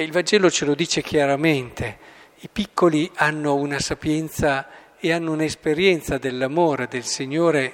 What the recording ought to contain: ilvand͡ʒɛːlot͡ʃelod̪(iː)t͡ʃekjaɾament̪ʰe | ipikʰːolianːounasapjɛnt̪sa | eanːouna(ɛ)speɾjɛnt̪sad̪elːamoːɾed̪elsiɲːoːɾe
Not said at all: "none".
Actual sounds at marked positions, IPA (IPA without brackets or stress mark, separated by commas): iː, e